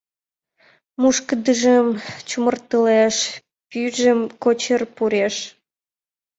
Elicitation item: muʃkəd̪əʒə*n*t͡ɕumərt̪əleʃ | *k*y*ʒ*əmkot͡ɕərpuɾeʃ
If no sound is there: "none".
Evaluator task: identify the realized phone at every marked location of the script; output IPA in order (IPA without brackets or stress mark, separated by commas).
m, p, ʒ